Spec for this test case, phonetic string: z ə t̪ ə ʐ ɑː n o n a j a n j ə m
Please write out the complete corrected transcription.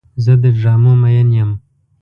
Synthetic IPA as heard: z ə d̪ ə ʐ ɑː m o m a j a n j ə m